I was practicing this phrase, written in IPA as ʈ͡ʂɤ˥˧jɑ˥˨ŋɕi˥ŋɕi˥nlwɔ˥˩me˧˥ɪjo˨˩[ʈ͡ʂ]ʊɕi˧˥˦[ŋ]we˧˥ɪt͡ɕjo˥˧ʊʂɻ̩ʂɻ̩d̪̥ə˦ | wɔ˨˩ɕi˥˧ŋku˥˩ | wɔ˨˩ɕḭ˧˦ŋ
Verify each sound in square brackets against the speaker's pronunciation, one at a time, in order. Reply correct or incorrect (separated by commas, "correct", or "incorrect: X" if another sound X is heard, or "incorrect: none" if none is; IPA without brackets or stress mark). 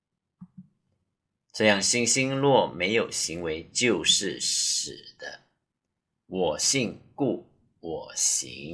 incorrect: none, correct